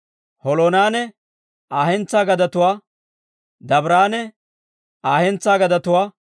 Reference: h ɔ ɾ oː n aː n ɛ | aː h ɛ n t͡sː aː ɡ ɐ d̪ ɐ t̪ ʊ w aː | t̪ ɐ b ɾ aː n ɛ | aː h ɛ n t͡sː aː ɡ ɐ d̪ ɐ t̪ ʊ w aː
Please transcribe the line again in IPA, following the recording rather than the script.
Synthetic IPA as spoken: h ɔ l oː n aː n ɛ | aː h ɛ n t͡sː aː ɡ ɐ d̪ ɐ t̪ ʊ w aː | d̪ ɐ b ɾ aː n ɛ | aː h ɛ n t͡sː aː ɡ ɐ d̪ ɐ t̪ ʊ w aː